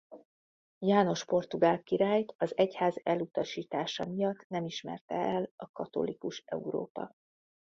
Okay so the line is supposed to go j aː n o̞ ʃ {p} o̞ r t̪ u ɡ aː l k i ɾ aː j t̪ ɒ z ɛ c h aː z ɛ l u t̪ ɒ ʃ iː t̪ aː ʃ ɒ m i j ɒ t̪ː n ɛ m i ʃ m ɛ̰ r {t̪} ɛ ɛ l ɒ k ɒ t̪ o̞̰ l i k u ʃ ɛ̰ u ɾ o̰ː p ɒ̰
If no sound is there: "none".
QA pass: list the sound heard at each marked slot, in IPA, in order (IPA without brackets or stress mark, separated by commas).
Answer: p, t̪